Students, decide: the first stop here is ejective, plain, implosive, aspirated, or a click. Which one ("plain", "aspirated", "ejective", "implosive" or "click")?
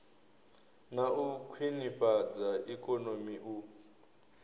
aspirated